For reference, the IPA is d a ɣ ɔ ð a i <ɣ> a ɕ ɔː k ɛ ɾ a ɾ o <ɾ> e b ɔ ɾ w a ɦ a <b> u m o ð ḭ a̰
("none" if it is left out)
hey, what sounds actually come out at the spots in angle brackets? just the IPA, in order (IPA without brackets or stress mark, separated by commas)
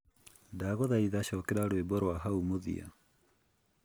ð, none, none